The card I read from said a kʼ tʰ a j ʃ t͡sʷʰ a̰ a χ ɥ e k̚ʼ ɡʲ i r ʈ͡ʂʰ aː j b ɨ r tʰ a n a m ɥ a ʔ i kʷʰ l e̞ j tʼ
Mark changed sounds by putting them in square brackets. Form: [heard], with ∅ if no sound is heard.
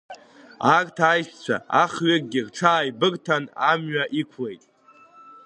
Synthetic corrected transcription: a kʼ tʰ a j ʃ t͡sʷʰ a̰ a χ ɥ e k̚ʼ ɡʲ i r ʈ͡ʂʰ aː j b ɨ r tʰ a n a m ɥ a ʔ i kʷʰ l e̞ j tʼ